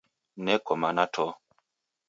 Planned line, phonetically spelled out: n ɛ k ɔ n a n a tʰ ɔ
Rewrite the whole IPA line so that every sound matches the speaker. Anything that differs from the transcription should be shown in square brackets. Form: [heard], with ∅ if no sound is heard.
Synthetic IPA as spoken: n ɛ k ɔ [m] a n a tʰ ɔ